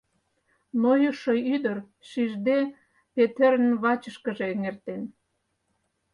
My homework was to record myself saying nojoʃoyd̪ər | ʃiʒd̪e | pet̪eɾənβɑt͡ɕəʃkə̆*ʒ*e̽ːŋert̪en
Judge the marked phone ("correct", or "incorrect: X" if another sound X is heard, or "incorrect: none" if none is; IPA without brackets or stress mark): correct